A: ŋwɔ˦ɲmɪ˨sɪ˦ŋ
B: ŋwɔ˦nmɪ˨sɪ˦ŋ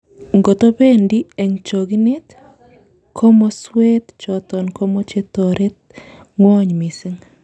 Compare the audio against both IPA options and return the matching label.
A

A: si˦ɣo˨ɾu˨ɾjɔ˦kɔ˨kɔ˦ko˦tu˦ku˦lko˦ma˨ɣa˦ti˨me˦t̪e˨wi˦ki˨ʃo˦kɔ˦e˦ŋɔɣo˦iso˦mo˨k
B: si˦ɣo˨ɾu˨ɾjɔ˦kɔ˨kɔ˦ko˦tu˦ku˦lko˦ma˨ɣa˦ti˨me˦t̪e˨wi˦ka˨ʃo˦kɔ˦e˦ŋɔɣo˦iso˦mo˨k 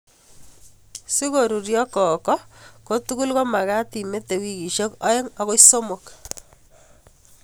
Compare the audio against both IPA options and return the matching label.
A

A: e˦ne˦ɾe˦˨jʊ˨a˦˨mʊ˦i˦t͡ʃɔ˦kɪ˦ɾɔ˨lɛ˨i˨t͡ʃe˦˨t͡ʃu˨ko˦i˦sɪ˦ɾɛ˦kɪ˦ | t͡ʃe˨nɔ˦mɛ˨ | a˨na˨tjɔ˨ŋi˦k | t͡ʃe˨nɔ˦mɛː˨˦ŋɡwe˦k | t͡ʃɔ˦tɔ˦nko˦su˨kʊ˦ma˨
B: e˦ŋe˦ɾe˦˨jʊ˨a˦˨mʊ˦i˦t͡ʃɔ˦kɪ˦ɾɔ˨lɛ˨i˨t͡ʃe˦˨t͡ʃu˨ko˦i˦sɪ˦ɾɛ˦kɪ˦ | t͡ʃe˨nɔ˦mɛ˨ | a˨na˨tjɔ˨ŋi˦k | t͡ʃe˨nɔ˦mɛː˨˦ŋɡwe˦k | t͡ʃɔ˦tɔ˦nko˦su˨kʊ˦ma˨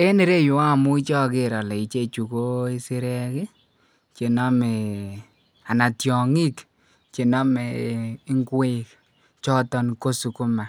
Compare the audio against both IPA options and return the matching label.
A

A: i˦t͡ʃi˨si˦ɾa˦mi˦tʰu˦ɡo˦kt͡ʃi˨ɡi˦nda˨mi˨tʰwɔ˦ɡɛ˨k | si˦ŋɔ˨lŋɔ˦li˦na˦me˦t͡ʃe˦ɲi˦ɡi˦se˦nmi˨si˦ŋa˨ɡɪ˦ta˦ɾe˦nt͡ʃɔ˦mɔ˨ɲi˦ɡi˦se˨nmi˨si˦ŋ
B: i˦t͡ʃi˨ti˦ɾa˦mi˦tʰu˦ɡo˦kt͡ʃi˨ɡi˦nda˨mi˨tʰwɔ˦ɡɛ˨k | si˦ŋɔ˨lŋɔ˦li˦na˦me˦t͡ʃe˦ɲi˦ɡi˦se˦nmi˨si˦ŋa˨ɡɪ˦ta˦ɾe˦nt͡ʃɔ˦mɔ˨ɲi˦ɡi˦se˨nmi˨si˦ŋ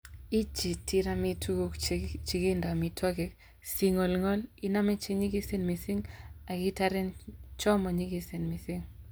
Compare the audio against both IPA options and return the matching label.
B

